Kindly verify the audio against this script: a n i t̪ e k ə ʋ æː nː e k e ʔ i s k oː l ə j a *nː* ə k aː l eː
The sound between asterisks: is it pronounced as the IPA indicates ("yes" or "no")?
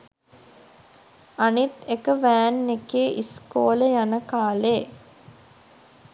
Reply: no